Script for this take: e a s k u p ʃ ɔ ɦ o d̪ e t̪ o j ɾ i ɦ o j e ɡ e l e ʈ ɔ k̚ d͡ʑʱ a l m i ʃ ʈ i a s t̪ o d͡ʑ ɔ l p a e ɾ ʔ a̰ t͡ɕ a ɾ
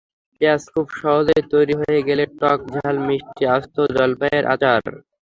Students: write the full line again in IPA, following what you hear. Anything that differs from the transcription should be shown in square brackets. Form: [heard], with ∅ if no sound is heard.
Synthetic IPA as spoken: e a s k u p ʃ ɔ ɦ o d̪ e t̪ o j ɾ i ɦ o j e ɡ e l e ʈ ɔ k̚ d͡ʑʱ a l m i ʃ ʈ i a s t̪ o d͡ʑ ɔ l p a e ɾ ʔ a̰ t͡ɕ a ɾ